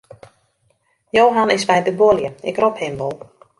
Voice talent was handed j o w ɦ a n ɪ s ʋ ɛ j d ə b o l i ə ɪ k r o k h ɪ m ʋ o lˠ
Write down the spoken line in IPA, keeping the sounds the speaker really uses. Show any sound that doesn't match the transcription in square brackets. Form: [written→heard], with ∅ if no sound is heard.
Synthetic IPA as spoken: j o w ɦ a n ɪ s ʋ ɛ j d ə b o l [i→j] ə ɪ k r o [k→p] h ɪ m ʋ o lˠ